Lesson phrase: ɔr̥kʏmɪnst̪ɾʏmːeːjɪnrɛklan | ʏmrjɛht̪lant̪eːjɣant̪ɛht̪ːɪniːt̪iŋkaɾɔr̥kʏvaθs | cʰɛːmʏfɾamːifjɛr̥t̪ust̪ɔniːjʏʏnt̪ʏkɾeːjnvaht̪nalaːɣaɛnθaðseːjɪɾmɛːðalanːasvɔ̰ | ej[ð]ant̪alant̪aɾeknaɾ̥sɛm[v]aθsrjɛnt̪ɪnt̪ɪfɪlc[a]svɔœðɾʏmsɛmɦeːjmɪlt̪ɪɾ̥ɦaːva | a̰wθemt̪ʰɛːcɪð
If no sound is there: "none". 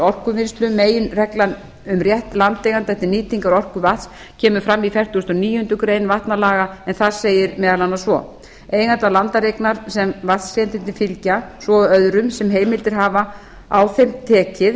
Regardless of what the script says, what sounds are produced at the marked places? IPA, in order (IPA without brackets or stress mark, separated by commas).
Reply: ɣ, v, a